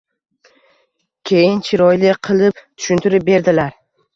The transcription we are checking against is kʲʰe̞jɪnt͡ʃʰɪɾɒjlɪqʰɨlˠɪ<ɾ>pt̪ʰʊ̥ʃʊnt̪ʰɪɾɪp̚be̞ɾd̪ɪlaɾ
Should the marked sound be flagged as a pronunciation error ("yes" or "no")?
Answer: yes